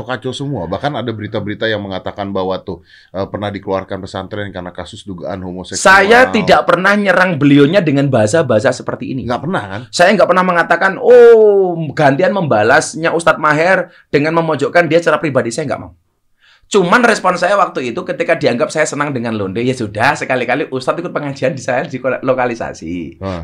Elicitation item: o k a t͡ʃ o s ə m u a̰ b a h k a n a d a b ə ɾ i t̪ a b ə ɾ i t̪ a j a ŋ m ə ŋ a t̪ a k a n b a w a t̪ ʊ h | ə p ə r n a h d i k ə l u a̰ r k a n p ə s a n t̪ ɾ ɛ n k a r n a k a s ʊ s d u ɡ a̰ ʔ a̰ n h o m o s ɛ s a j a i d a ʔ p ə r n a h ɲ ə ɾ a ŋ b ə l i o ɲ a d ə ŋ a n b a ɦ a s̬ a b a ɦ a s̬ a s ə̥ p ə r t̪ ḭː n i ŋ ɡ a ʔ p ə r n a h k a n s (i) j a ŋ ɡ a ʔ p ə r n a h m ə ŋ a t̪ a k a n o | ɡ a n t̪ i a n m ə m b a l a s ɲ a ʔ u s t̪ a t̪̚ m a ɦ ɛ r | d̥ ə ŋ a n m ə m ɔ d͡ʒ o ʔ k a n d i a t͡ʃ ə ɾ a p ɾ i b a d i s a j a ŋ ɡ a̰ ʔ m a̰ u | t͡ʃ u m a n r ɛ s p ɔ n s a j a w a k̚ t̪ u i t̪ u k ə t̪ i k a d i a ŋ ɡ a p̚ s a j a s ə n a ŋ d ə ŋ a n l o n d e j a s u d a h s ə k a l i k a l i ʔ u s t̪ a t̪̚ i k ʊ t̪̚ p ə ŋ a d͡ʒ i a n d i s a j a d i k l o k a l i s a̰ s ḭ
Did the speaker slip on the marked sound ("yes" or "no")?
yes